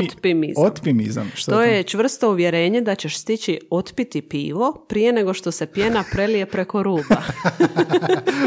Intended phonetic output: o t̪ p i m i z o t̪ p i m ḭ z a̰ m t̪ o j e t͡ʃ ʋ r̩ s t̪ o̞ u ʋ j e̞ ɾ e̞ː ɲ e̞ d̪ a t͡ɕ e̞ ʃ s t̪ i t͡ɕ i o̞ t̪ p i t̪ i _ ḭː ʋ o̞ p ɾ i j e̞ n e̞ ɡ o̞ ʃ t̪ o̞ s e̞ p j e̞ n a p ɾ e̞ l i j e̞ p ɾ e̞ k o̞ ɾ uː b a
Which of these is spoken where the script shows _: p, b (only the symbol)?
p